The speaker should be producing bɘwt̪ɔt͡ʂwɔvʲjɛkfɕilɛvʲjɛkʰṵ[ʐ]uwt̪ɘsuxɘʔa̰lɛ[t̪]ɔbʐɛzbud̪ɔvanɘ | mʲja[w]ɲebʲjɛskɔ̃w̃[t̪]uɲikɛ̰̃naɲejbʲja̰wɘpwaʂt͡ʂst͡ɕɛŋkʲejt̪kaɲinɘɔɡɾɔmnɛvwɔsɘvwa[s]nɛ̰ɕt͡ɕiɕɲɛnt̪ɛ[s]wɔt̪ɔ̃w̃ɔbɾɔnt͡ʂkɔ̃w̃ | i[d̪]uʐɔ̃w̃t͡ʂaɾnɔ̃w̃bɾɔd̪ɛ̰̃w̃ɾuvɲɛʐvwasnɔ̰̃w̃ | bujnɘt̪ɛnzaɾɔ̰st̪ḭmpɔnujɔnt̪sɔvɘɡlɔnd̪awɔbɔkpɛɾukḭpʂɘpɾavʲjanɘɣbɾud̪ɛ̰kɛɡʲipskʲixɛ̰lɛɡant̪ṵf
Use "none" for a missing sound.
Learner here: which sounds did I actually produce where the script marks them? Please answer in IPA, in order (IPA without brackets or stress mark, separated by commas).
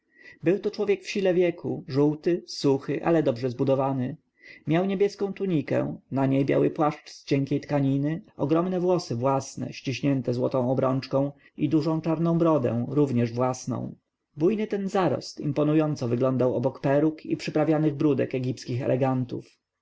ʐ, d̪, w, t̪, s, z, d̪